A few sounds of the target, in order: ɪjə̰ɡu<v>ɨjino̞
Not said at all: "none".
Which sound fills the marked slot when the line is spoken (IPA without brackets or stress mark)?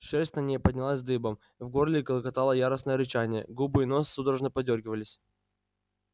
b